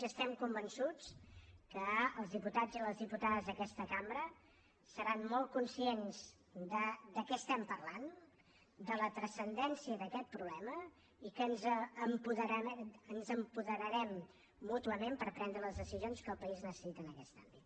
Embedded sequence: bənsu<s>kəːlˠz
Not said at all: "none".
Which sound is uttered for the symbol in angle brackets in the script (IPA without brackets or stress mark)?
t͡s